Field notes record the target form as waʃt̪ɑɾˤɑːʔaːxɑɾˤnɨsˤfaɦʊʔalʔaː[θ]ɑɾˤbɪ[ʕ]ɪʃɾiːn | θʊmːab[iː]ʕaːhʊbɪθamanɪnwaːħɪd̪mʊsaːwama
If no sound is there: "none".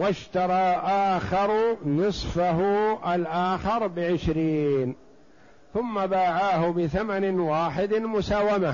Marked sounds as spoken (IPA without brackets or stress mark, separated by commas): x, ʕ, aː